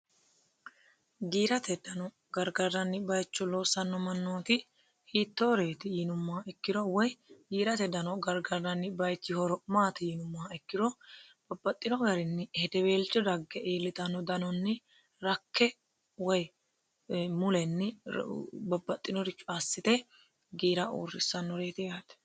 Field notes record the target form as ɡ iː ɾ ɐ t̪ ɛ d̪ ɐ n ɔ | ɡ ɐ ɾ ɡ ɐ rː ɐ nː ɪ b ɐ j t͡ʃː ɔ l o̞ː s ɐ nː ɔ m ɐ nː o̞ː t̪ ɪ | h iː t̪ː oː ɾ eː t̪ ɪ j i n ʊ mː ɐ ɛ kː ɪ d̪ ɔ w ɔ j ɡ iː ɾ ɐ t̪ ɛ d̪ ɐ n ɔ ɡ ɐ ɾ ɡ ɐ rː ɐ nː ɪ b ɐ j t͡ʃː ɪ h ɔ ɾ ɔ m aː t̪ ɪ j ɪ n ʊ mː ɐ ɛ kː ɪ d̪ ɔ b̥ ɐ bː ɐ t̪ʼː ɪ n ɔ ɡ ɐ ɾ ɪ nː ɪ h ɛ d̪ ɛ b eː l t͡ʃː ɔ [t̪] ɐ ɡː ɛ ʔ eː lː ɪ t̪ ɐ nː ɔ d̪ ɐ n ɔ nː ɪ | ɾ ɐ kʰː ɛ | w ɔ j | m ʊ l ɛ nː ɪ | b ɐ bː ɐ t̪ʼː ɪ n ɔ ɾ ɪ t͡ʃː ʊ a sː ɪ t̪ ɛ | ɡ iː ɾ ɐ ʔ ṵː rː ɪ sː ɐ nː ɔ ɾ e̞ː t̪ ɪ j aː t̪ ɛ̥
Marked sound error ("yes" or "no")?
yes